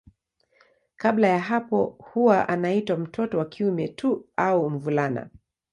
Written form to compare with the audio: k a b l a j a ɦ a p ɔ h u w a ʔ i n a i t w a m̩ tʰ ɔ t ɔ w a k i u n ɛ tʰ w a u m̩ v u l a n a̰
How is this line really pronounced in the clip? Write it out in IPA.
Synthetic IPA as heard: k a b l a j a ɦ a p ɔ h u w a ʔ a n a i t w a m̩ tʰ ɔ t ɔ w a k i u m ɛ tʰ u a u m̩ v u l a n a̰